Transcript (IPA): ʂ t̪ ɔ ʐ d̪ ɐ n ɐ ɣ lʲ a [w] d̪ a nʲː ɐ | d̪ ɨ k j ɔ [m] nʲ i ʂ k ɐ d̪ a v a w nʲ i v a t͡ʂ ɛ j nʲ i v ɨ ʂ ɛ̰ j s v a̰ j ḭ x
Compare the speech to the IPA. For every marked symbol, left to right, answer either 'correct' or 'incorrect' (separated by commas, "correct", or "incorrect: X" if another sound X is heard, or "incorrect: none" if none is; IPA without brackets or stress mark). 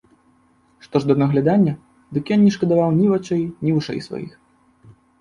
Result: incorrect: none, incorrect: n